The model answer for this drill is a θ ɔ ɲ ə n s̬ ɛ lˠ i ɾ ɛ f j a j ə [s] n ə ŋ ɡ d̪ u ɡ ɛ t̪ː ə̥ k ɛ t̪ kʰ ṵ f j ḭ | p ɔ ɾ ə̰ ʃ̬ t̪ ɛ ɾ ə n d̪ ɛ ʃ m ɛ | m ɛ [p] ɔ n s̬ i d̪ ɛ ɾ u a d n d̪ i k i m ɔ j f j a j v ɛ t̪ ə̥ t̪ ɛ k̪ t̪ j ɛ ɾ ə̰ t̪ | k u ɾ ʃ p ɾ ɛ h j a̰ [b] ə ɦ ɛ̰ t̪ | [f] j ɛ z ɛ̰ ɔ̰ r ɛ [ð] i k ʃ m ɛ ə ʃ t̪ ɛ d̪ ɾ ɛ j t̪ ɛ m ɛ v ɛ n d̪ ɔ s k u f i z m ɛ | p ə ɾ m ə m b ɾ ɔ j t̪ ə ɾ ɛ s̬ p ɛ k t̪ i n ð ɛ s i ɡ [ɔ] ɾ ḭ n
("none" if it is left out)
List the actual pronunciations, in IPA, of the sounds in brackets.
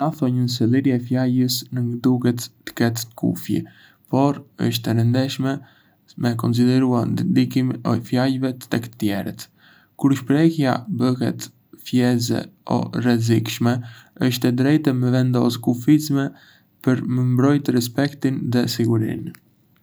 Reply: s, k, b, f, z, u

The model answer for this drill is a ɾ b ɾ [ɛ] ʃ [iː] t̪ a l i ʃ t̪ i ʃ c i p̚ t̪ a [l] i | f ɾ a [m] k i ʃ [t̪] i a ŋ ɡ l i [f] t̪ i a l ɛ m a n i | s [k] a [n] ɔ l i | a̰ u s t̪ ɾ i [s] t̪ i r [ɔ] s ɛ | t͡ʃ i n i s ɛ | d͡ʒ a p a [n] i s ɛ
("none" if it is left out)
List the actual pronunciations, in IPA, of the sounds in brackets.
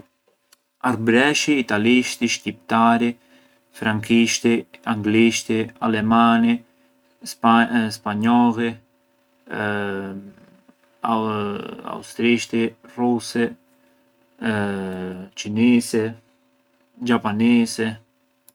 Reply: ɛ, iː, ɾ, ŋ, t̪, ʃ, p, ɲ, ʃ, u, n

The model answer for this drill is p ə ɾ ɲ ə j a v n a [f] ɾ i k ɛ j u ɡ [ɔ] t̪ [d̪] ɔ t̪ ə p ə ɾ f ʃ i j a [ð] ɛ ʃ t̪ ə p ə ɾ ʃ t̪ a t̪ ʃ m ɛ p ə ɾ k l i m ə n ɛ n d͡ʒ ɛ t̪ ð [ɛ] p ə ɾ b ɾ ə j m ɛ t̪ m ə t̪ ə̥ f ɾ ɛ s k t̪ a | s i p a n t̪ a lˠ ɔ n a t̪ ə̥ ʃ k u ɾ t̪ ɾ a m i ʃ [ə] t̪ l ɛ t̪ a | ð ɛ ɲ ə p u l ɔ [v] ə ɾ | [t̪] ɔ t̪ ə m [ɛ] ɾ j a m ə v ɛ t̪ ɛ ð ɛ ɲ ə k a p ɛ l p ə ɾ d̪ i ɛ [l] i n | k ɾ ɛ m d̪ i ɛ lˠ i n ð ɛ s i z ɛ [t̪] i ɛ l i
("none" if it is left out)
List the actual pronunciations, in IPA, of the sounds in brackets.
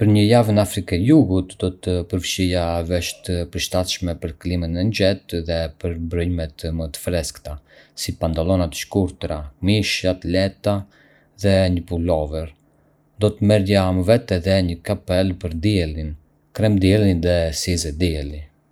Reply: f, u, d̪, v, ɛ, a, v, d̪, ɛ, l, d̪

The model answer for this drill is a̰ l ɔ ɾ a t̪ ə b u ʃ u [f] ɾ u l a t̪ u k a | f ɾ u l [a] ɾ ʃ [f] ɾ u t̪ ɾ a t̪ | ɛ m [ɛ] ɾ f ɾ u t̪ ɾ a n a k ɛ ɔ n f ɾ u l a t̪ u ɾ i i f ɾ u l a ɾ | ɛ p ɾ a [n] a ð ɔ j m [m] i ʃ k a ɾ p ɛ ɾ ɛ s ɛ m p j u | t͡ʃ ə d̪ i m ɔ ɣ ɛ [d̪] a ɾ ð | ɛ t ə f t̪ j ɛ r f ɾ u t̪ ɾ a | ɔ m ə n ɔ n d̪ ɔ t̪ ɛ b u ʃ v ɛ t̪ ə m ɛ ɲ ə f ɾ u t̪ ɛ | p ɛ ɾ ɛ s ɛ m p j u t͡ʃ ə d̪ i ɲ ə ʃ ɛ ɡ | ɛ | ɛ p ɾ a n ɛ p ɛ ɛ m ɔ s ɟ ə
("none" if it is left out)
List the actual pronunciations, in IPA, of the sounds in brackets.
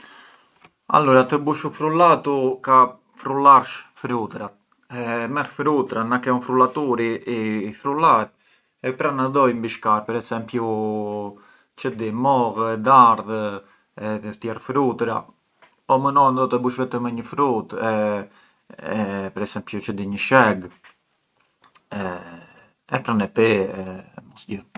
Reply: f, a, f, ɛ, n, b, d̪

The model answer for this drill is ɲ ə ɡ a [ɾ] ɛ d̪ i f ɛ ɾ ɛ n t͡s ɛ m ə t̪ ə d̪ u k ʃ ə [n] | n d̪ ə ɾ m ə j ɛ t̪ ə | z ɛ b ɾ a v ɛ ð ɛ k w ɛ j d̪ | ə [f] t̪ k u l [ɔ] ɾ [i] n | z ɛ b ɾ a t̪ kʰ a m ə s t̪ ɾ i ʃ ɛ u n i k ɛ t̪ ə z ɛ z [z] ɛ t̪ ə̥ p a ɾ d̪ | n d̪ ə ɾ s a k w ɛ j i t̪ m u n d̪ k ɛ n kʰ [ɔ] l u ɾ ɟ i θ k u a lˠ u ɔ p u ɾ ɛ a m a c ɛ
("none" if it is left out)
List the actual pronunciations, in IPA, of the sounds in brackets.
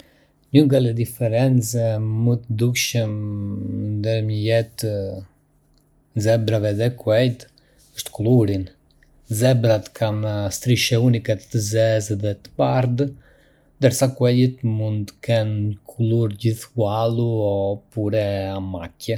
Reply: l, m, ʃ, u, i, ð, u

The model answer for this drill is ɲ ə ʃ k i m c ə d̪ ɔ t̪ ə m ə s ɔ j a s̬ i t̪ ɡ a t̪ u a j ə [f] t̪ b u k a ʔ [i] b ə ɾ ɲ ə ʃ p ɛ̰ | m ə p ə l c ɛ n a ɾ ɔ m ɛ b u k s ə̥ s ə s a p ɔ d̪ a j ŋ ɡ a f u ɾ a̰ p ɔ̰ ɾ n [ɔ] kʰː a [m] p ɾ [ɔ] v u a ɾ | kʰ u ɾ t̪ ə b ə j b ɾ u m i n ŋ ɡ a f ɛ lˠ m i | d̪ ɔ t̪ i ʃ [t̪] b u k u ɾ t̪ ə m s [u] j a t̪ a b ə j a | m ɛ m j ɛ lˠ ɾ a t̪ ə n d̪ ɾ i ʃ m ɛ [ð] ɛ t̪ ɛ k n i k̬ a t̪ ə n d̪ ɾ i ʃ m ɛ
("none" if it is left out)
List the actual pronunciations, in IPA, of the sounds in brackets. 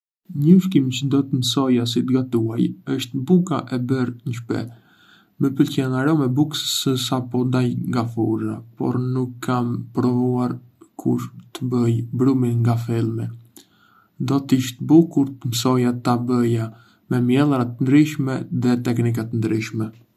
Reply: ʃ, ɛ, u, m, ɔ, t̪, ɔ, ð

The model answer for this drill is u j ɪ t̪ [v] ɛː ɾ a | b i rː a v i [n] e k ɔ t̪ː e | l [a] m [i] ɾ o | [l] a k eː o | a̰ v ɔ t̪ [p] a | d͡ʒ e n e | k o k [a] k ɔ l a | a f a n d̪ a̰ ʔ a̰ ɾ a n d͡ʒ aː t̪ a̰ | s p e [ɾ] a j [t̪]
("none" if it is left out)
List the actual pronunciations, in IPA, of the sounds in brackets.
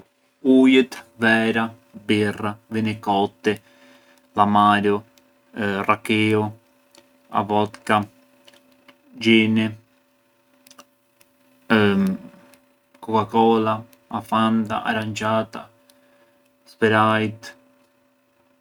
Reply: v, n, a, a, r, k, a, ɾ, t̪

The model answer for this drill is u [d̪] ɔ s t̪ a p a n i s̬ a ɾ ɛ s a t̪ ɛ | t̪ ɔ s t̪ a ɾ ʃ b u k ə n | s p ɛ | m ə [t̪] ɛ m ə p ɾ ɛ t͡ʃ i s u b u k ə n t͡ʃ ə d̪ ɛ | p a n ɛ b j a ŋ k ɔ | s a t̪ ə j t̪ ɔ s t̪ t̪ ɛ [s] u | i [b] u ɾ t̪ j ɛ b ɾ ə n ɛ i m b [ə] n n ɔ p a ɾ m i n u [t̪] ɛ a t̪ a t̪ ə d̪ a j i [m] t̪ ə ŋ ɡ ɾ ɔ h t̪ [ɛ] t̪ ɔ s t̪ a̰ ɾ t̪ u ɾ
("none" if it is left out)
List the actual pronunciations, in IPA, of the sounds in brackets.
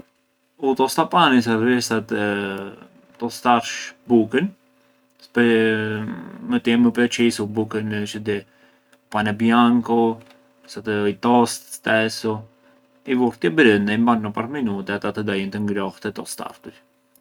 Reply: t̪, t̪, s, v, a, t̪, n, ɛ

